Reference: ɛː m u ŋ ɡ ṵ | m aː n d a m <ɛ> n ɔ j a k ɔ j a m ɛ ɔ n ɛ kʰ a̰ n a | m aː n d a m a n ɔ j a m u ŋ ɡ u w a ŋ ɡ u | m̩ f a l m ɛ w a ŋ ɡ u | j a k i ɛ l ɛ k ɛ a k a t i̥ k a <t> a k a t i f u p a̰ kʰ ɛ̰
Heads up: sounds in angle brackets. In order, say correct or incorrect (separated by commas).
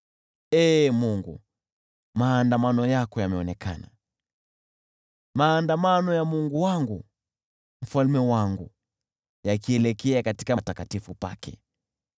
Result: incorrect, correct